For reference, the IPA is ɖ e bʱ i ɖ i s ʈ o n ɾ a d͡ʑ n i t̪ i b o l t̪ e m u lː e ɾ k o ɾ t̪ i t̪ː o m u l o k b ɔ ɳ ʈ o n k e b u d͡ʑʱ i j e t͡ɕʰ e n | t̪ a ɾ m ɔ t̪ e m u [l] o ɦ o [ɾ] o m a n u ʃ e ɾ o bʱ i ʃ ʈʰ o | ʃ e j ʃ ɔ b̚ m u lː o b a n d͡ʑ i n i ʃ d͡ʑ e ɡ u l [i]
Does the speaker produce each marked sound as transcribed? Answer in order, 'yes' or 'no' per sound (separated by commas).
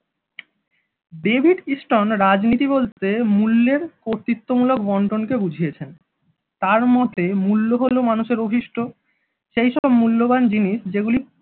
no, no, yes